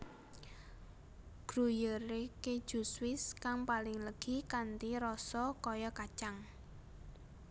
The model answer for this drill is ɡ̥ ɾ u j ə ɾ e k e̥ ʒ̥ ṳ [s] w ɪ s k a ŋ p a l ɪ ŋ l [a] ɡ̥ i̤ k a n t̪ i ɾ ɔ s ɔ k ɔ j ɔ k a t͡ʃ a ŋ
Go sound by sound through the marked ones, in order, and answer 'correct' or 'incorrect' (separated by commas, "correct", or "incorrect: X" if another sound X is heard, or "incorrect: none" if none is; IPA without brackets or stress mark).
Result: correct, incorrect: ə